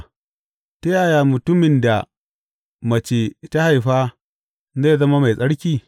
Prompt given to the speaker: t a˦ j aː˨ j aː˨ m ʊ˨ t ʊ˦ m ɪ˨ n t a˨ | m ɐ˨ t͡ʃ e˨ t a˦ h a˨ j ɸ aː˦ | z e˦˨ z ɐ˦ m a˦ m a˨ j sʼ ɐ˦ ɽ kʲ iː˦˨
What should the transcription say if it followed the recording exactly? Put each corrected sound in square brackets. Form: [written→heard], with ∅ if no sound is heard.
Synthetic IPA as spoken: t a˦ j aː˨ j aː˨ m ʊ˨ t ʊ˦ m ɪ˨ n [t→d] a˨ | m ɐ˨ t͡ʃ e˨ t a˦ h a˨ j ɸ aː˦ | z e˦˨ z ɐ˦ m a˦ m a˨ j sʼ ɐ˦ ɽ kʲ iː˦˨